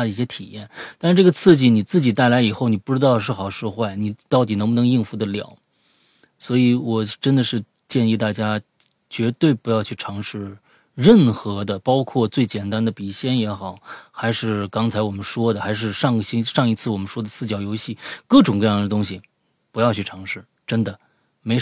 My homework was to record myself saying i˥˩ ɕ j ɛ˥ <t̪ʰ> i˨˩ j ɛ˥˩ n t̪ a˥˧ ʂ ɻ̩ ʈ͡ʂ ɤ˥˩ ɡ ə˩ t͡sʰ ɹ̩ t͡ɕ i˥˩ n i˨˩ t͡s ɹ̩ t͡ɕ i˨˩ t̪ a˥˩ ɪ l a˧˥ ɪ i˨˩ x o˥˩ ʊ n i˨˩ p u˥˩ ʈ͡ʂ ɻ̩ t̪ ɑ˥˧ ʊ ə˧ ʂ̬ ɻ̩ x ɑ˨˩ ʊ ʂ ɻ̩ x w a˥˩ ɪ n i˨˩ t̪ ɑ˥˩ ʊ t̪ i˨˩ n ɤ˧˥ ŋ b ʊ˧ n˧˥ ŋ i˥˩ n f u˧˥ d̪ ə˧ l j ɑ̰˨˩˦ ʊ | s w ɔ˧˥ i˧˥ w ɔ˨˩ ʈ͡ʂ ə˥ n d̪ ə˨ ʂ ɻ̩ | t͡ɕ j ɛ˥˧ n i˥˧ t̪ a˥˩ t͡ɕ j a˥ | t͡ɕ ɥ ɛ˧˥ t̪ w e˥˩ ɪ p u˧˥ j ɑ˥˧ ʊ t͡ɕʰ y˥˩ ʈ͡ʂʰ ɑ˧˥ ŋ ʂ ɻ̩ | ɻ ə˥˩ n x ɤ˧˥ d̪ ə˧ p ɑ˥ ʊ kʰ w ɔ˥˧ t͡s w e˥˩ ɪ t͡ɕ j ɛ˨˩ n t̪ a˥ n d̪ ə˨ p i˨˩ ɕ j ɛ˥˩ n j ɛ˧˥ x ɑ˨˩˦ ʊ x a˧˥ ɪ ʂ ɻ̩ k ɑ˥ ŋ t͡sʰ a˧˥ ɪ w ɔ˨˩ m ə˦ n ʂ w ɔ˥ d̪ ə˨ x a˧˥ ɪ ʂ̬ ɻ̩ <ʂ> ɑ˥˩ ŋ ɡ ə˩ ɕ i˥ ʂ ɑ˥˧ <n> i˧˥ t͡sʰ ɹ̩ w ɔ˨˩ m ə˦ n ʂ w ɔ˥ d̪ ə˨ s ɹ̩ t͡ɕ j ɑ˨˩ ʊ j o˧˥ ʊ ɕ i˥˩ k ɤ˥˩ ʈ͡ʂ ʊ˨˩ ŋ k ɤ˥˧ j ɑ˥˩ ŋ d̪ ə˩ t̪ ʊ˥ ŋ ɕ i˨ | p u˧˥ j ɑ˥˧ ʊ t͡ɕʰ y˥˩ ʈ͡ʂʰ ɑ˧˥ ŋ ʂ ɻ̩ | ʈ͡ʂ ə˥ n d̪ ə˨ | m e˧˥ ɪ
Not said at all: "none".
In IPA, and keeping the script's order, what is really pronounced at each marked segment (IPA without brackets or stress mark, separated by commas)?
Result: t̪ʰ, ʂ, ŋ